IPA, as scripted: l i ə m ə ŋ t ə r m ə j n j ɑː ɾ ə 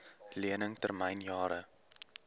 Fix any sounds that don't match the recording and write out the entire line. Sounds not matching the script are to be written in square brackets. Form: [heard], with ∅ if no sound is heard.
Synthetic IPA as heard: l i ə [n] ə ŋ t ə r m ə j n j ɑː ɾ ə